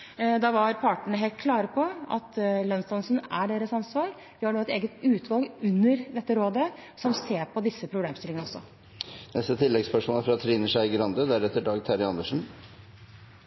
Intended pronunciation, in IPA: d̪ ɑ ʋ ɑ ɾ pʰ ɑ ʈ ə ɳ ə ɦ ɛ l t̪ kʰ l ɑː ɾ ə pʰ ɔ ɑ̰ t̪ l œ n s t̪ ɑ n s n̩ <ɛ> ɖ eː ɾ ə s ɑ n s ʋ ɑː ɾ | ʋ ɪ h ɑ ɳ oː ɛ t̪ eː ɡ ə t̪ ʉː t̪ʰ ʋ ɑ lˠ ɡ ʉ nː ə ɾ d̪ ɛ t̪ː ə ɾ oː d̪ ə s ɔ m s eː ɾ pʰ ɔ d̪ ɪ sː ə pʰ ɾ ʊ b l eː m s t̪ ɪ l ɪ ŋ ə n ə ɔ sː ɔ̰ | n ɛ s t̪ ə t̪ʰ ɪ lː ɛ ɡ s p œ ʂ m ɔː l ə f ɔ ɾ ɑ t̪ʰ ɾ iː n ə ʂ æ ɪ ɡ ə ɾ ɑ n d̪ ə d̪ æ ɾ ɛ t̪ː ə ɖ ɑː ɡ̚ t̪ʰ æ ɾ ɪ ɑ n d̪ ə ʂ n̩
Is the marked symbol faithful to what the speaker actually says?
no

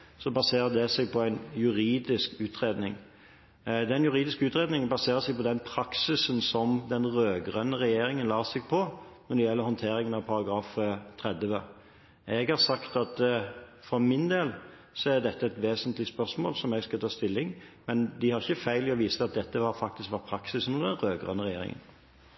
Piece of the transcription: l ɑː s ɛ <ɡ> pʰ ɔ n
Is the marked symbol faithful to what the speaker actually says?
yes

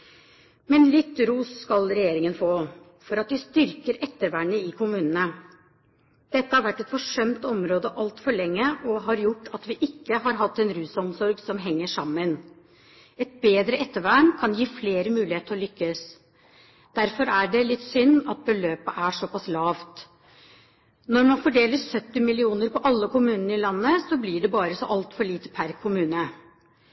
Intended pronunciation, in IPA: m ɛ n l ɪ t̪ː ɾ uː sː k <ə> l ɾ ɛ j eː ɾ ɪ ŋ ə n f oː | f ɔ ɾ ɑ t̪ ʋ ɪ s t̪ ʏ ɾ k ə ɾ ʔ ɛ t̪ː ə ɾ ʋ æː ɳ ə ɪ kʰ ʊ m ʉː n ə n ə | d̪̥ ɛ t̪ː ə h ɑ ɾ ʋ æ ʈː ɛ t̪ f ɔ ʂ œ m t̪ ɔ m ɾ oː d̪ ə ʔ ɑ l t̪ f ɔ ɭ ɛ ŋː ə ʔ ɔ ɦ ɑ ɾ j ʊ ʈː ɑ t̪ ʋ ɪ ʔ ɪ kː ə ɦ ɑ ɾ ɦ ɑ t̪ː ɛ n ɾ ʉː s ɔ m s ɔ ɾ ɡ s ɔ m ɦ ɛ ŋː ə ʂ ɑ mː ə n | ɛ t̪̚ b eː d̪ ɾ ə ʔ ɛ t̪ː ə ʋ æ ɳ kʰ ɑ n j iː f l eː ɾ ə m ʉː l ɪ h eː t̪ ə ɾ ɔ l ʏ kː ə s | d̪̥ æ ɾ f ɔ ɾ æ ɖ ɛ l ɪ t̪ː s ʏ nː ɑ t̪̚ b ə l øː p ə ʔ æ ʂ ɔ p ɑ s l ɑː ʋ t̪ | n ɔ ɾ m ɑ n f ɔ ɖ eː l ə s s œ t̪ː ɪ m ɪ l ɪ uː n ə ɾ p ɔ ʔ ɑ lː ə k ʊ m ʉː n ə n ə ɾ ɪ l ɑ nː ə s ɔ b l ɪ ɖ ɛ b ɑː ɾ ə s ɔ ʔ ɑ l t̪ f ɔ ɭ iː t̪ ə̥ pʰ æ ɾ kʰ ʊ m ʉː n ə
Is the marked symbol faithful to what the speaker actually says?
no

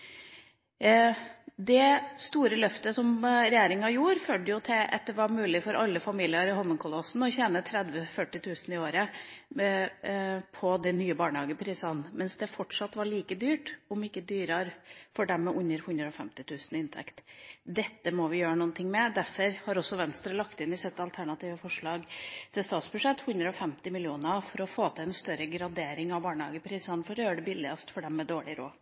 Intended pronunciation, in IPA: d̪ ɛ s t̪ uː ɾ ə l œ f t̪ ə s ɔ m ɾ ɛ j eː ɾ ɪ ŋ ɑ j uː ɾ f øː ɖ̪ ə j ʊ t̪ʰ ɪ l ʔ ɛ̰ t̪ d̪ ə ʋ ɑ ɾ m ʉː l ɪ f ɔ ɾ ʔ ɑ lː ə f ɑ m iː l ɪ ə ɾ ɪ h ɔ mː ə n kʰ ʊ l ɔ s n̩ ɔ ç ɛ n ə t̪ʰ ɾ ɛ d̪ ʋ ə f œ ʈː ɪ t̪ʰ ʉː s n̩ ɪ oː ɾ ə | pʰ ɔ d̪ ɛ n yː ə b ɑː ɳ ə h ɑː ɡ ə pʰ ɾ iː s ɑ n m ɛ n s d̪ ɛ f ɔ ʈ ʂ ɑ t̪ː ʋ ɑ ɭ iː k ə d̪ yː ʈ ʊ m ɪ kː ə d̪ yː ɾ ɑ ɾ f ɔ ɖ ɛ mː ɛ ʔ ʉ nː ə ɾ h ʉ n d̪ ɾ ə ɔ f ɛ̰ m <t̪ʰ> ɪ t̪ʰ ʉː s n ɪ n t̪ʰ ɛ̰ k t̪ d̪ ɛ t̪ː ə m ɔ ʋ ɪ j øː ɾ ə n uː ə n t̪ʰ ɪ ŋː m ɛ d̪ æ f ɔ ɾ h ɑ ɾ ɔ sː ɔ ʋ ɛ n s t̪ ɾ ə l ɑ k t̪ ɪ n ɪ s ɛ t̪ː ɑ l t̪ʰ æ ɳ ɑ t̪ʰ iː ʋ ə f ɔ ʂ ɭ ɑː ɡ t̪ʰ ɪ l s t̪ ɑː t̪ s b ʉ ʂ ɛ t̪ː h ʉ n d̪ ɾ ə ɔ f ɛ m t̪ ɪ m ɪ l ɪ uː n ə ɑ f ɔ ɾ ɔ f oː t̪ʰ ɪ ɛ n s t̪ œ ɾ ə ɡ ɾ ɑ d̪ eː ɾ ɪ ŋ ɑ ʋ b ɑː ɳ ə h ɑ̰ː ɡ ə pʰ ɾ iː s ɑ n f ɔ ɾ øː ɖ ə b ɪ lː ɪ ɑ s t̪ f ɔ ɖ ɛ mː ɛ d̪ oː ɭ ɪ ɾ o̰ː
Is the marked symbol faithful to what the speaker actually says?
no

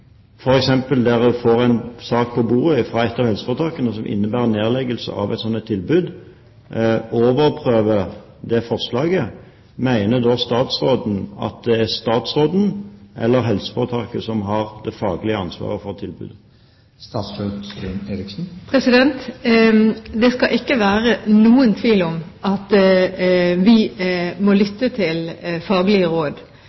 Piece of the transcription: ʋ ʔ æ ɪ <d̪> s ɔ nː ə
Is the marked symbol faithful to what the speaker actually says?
no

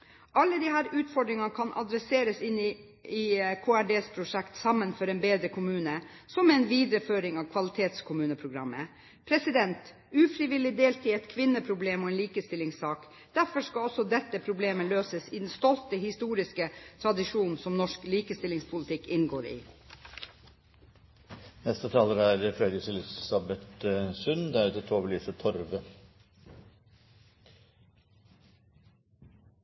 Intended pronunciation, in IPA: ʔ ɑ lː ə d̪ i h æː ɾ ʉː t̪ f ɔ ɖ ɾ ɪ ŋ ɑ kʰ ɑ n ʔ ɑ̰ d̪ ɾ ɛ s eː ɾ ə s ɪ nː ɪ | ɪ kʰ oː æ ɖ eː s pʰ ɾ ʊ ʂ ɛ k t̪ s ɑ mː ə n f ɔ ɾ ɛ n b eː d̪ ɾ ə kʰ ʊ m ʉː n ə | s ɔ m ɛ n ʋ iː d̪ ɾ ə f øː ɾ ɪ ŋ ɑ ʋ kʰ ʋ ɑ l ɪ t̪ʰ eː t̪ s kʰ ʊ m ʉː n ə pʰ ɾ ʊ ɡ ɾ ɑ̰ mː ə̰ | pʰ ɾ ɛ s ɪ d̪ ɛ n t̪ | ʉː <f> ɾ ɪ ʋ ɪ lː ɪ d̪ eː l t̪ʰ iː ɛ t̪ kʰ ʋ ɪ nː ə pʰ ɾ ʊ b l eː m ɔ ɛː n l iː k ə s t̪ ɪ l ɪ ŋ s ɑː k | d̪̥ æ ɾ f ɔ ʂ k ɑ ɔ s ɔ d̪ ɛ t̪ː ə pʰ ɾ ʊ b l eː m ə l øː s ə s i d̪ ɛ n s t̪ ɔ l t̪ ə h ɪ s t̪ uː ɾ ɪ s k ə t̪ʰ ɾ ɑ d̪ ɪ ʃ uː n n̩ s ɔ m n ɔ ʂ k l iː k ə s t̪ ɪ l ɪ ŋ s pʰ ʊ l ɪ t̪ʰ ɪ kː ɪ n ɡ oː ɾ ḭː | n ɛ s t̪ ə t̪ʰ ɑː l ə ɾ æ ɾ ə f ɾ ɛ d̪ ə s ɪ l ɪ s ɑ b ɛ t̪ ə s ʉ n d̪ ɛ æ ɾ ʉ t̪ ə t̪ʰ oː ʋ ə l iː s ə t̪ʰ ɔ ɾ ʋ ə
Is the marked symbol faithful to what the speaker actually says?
yes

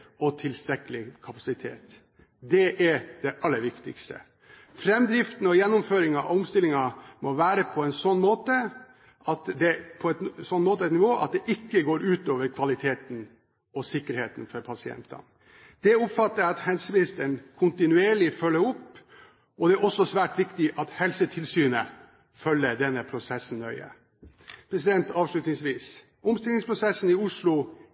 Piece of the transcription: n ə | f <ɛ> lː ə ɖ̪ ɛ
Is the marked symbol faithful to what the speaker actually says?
no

